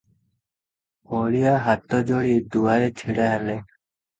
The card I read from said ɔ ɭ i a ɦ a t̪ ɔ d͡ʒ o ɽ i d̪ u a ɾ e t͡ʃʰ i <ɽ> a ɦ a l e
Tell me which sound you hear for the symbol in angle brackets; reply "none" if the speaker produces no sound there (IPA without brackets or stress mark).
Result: ɽ